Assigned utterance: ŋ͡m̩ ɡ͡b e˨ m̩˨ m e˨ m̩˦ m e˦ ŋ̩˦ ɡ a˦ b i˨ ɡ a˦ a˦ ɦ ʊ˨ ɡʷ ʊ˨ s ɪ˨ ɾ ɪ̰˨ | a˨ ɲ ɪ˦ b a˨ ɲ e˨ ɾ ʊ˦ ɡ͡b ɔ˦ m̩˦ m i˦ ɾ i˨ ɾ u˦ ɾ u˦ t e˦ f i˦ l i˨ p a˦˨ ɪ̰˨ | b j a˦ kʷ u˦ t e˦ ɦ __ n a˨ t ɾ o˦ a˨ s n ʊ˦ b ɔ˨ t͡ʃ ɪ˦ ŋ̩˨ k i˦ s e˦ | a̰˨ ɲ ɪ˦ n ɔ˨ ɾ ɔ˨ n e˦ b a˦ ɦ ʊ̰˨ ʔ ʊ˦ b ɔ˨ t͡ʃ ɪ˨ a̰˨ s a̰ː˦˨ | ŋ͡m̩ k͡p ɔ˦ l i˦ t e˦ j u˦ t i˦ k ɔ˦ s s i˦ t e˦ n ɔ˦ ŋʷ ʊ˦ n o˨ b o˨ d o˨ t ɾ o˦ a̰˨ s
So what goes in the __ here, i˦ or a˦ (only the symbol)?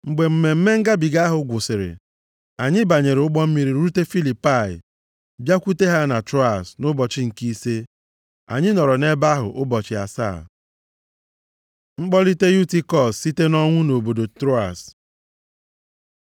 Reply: a˦